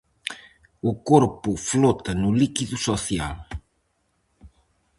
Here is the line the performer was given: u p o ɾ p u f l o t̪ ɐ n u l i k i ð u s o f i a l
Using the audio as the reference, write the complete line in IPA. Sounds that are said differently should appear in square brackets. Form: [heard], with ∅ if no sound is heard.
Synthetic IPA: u [k] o ɾ p u f l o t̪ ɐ n u l i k i ð u s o [θ] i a l